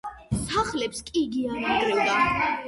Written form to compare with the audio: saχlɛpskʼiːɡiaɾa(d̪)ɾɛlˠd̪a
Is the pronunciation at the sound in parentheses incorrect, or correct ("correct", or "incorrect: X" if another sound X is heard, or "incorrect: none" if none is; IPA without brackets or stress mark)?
correct